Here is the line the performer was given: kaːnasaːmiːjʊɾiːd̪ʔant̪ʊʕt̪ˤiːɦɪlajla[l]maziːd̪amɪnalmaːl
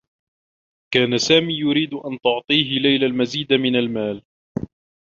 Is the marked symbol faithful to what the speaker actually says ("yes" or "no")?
yes